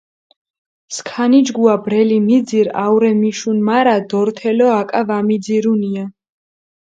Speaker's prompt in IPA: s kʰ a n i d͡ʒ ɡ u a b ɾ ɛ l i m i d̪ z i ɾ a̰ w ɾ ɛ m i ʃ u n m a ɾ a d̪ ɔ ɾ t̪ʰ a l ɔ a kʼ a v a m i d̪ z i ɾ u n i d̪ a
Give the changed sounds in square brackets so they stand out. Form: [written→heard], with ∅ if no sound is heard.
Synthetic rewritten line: s kʰ a n i d͡ʒ ɡ u a b ɾ ɛ l i m i d̪ z i ɾ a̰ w ɾ ɛ m i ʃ u n m a ɾ a d̪ ɔ ɾ t̪ʰ [a→ɛ] l ɔ a kʼ a v a m i d̪ z i ɾ u n i [d̪→∅] a

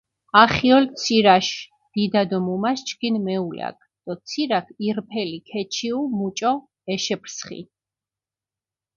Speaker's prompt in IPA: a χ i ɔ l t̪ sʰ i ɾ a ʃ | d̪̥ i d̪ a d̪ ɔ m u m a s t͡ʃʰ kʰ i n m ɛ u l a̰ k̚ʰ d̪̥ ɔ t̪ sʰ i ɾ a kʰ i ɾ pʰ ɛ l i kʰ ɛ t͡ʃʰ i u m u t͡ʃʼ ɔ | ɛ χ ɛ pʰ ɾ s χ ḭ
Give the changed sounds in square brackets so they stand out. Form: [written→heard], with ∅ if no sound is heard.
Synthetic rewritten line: a χ i ɔ l t̪ sʰ i ɾ a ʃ | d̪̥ i d̪ a d̪ ɔ m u m a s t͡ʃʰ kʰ i n m ɛ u l a̰ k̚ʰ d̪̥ ɔ t̪ sʰ i ɾ a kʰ i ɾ pʰ ɛ l i kʰ ɛ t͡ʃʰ i u m u t͡ʃʼ ɔ | ɛ [χ→ʃ] ɛ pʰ ɾ s χ ḭ

